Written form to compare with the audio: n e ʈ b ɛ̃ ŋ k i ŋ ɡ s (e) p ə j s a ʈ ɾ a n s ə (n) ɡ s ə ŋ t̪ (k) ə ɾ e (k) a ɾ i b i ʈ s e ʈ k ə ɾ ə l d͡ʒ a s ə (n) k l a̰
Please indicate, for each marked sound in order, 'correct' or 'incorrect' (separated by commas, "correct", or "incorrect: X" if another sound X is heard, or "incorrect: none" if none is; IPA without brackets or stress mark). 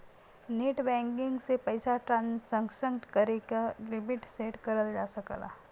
correct, incorrect: ŋ, correct, correct, incorrect: none